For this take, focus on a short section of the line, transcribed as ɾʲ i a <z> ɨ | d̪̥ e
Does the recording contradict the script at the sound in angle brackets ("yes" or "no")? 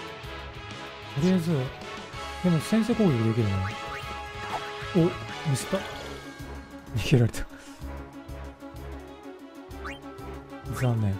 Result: no